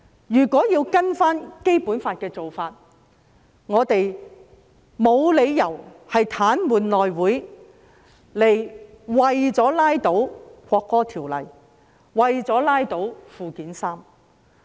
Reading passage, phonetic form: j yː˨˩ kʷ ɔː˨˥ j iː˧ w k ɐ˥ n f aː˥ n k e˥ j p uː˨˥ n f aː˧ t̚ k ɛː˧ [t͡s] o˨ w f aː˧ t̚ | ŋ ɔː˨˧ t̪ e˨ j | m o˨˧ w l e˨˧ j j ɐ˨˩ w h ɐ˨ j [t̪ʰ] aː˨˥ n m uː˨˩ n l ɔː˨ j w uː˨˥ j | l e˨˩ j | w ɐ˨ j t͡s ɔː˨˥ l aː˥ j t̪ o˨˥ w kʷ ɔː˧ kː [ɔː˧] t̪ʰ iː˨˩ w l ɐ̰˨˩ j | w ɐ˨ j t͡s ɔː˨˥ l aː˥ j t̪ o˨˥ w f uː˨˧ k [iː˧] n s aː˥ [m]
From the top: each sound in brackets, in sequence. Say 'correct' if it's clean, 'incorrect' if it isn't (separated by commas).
correct, correct, incorrect, incorrect, correct